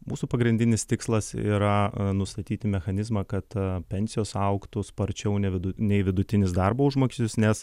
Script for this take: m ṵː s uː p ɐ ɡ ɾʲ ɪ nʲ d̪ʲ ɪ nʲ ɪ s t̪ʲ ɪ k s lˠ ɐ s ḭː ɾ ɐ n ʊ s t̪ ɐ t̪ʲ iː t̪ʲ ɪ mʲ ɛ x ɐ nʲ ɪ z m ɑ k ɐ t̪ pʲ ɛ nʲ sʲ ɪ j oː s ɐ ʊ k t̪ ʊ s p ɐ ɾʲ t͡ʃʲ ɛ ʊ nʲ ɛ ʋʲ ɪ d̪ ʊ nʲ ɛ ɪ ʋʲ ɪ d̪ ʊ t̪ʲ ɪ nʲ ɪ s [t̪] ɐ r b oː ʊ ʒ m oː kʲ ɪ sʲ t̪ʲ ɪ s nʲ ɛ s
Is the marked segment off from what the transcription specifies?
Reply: yes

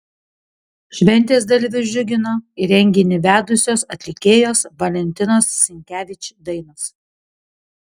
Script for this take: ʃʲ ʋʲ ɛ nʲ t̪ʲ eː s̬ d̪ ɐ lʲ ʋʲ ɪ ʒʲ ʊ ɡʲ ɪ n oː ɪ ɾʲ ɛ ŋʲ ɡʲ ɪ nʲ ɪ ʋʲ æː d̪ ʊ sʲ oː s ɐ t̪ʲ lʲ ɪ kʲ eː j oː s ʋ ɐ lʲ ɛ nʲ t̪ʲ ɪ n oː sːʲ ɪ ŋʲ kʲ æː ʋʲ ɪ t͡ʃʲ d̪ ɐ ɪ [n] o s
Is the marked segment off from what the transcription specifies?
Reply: no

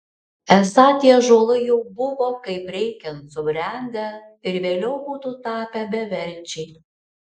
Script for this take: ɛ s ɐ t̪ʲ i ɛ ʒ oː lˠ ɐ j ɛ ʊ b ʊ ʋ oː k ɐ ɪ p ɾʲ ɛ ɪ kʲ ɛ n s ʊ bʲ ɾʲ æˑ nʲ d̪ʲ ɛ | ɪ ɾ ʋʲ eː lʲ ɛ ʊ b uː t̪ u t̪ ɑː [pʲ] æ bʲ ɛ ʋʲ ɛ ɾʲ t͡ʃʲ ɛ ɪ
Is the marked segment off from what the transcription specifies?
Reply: no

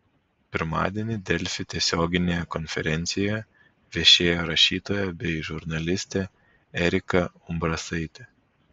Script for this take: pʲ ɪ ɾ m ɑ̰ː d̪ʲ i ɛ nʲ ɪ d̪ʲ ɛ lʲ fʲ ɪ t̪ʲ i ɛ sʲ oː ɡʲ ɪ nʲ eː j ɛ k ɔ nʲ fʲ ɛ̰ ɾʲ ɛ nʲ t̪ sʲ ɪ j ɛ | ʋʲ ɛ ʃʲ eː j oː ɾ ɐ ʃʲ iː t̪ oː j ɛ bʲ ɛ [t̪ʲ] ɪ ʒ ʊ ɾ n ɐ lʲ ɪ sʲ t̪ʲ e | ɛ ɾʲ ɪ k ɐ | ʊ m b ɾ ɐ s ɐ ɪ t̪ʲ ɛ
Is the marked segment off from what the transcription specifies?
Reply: yes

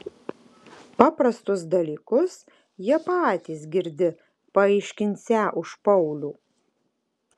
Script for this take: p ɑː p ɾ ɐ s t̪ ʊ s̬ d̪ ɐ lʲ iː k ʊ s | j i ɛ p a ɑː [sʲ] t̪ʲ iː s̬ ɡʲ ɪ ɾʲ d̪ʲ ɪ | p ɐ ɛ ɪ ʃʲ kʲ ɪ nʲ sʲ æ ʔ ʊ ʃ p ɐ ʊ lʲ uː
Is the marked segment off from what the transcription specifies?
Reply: yes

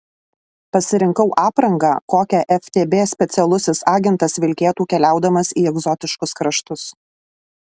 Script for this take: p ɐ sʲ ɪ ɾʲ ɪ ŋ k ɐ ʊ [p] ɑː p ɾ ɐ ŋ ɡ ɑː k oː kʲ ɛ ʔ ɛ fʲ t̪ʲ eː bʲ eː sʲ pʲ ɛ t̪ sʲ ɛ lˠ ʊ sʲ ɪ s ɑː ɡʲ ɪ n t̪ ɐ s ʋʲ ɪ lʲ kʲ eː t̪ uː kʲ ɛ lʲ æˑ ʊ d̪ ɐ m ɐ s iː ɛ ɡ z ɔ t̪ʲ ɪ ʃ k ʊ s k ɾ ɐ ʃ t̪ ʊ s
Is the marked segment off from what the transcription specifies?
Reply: yes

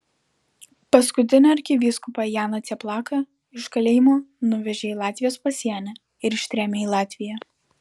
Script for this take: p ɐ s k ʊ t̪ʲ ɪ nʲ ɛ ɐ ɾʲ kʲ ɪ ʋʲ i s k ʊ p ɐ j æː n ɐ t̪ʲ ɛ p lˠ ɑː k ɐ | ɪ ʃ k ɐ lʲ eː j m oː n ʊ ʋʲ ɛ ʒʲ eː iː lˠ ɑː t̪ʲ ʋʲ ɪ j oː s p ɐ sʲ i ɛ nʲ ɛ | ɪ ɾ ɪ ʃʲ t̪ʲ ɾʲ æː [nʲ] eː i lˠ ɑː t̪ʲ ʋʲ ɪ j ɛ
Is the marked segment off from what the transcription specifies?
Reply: yes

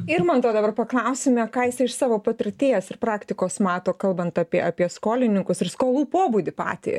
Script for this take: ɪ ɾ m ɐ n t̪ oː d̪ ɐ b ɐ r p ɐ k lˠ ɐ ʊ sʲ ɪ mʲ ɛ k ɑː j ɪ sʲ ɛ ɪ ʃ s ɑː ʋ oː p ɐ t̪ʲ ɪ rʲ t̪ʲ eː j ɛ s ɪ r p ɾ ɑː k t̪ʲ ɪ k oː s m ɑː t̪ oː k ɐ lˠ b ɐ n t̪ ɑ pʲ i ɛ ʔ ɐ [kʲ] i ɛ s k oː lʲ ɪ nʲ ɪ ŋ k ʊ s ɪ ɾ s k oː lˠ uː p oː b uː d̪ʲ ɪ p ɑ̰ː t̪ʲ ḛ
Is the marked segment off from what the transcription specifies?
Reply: yes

